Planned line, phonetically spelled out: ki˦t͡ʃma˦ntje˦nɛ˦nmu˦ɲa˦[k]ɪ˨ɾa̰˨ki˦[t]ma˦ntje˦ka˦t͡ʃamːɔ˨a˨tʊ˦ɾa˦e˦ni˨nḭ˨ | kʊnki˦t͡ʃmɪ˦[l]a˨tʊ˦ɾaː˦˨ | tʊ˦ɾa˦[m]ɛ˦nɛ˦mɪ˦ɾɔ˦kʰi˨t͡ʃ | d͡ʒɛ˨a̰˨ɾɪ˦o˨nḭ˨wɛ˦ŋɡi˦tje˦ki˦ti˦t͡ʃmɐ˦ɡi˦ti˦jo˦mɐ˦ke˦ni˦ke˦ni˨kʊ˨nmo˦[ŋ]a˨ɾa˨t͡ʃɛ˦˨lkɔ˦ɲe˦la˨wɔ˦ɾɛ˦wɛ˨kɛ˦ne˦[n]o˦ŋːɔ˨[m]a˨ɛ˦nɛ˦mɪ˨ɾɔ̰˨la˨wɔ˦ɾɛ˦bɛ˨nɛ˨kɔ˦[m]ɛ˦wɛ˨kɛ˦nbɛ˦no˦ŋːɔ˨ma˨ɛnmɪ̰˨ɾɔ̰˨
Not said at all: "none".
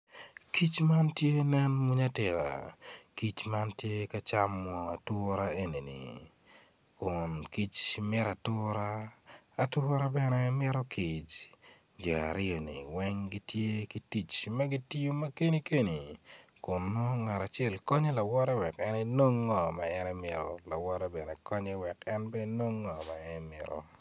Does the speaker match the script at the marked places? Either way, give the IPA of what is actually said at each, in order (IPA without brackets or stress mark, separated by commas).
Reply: t, t͡ʃ, ɾ, b, ŋ, n, m, ɲ